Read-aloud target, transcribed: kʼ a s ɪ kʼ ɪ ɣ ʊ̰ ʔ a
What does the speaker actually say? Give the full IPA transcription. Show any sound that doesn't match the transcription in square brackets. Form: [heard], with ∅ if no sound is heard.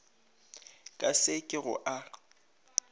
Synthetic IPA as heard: kʼ a s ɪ kʼ ɪ ɣ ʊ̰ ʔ a